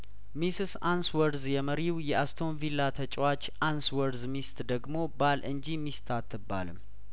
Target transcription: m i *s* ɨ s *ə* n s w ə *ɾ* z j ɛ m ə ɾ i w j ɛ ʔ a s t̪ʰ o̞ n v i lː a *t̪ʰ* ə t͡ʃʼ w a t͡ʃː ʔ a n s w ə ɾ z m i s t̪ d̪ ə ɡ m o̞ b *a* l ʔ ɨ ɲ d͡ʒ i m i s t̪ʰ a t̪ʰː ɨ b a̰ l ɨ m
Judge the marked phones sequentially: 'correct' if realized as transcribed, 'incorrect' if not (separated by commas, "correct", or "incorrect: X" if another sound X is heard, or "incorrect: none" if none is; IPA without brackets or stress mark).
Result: correct, incorrect: a, correct, correct, correct